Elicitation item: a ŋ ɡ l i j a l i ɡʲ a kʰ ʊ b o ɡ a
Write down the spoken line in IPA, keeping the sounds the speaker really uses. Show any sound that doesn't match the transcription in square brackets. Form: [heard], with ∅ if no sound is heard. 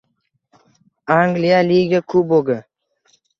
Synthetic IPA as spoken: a ŋ ɡ l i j a l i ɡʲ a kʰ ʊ b o ɡ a